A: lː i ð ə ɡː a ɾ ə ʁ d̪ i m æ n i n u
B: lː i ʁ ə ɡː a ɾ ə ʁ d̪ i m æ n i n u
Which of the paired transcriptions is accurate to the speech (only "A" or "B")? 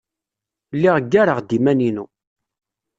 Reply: B